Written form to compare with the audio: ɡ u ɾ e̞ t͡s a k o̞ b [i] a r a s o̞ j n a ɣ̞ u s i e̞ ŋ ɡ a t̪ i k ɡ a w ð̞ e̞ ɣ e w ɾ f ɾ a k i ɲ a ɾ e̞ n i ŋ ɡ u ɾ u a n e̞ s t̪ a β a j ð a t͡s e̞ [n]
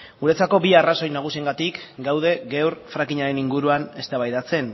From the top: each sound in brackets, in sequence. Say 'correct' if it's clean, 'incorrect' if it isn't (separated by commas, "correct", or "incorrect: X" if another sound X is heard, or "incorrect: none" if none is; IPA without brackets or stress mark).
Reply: correct, correct